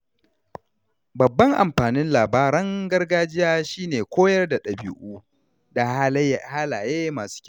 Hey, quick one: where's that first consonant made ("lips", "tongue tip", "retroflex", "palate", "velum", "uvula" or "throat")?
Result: lips